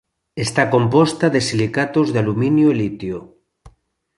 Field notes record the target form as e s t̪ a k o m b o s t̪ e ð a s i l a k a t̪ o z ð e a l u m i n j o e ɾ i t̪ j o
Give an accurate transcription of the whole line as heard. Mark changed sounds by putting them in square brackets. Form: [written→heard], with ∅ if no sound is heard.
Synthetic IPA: e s t̪ a k o m [b→p] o s t̪ [e→a] ð [a→e] s i l [a→i] k a t̪ o z ð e a l u m i n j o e [ɾ→l] i t̪ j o